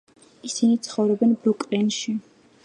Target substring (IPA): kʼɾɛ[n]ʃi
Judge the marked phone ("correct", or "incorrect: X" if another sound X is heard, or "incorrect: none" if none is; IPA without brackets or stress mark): correct